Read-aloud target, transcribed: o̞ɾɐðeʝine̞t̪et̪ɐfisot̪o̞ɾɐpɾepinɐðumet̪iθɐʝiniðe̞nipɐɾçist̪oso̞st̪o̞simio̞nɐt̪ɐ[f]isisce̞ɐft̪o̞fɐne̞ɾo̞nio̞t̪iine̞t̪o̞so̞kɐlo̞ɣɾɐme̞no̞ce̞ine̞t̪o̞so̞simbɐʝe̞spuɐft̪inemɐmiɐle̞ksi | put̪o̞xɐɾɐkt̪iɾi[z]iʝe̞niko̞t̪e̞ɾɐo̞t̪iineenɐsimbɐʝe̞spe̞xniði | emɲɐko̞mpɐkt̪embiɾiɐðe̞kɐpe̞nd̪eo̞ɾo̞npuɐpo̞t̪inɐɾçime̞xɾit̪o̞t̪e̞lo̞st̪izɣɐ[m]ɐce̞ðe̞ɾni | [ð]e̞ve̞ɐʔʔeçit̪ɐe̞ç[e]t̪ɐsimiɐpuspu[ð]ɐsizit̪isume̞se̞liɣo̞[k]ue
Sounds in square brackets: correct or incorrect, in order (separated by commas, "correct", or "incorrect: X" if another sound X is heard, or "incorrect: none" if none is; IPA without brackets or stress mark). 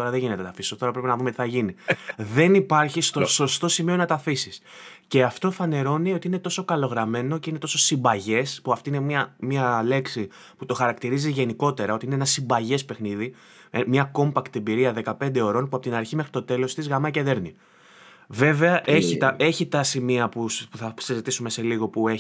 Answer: correct, correct, correct, incorrect: v, incorrect: i, incorrect: θ, incorrect: p